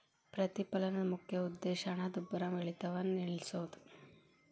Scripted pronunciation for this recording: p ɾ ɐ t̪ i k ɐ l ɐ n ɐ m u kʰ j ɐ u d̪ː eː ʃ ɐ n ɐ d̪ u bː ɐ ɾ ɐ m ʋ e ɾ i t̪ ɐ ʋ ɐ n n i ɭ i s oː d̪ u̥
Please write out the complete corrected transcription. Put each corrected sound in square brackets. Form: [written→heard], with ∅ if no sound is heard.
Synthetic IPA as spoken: p ɾ ɐ t̪ i [k→p] ɐ l ɐ n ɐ m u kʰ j ɐ u d̪ː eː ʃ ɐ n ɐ d̪ u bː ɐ ɾ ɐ m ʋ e [ɾ→ɭ] i t̪ ɐ ʋ ɐ n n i ɭ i s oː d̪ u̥